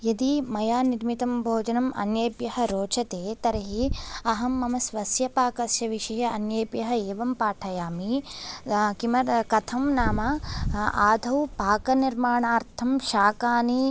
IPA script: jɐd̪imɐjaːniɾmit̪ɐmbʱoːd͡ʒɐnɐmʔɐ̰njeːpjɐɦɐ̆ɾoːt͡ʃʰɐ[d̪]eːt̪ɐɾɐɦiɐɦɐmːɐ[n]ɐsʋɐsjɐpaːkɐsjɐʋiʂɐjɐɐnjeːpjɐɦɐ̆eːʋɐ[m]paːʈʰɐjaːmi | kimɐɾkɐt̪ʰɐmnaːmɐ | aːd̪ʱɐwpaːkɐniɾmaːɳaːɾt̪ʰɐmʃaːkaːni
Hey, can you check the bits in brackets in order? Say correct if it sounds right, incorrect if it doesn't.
incorrect, incorrect, correct

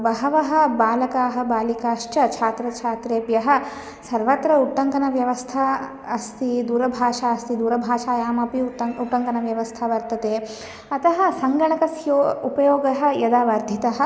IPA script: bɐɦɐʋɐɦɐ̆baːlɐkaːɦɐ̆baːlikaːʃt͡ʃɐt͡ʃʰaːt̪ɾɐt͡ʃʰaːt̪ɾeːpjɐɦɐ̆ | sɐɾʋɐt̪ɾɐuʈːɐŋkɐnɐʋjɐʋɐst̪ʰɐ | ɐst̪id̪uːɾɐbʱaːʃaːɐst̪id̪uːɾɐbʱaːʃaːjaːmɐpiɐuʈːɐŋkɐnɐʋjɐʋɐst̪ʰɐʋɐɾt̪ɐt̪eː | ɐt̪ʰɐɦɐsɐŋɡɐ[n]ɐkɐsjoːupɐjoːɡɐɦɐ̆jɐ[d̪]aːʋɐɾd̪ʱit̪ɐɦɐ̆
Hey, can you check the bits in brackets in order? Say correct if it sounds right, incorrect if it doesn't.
incorrect, correct

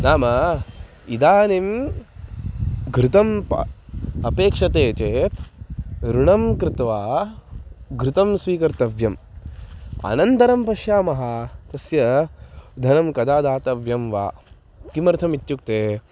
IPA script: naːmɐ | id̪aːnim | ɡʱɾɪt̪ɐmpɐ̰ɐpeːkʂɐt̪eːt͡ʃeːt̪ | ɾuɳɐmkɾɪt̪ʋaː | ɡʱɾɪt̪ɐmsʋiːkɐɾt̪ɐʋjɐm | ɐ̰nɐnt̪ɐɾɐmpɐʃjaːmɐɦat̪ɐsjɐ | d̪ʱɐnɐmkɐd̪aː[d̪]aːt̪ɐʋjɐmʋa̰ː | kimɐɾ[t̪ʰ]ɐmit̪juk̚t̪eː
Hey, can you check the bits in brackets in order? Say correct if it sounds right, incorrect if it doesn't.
correct, correct

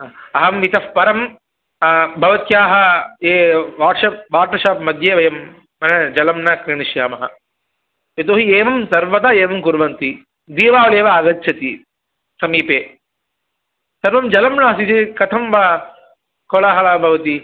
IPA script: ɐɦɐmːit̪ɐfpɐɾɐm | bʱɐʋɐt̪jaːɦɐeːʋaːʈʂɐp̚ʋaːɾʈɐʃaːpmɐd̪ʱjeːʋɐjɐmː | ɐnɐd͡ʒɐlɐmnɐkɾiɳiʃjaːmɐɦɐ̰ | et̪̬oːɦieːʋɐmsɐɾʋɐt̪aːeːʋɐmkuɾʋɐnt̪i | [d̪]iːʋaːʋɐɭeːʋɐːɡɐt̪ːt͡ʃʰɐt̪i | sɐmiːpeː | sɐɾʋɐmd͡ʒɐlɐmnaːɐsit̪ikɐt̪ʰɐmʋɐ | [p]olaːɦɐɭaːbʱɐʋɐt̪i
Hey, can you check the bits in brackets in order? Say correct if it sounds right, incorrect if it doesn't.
correct, incorrect

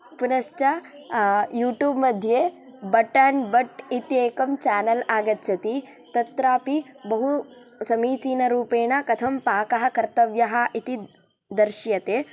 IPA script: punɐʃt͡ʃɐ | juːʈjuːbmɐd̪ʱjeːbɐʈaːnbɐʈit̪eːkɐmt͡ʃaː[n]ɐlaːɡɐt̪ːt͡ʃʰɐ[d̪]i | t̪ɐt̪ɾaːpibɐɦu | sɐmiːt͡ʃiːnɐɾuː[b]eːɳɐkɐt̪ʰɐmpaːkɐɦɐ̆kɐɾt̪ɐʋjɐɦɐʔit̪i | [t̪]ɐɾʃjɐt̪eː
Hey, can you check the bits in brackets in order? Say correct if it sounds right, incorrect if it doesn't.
correct, incorrect, incorrect, incorrect

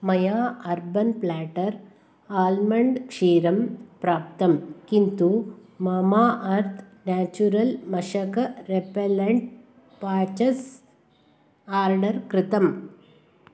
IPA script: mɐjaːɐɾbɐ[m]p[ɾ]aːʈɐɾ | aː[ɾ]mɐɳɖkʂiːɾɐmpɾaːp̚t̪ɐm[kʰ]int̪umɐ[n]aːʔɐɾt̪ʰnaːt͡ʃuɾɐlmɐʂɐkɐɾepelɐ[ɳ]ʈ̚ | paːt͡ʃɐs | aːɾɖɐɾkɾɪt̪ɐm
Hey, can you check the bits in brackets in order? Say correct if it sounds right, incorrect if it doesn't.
incorrect, incorrect, incorrect, incorrect, incorrect, correct

